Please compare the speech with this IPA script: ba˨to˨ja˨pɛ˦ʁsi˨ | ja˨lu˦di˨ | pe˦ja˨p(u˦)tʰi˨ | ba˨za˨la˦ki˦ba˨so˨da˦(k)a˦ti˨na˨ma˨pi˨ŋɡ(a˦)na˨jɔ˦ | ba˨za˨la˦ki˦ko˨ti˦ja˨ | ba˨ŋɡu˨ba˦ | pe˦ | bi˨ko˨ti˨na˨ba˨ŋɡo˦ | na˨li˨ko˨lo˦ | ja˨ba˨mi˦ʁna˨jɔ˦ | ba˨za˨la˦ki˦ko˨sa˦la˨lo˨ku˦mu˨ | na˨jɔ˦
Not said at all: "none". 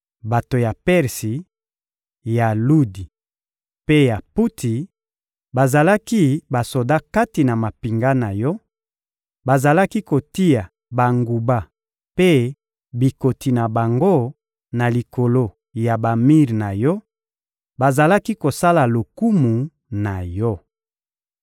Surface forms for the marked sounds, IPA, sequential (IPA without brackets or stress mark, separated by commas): u˦, k, a˦